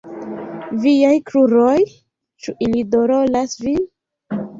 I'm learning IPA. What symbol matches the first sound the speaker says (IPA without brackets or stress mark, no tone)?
v